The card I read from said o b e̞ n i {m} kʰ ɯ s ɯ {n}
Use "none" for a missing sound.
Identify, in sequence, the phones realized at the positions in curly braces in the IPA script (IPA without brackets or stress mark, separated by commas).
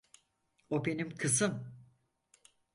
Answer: m, m